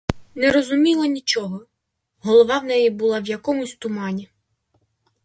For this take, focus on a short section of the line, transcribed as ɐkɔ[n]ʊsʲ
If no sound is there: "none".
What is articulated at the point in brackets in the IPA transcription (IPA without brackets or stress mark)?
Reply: m